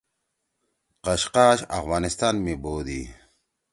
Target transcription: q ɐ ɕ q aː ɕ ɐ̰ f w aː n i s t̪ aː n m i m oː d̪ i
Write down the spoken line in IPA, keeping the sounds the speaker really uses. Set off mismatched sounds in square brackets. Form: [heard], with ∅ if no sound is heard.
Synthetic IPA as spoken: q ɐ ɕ q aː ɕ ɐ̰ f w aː n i s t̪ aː n m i [b] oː d̪ i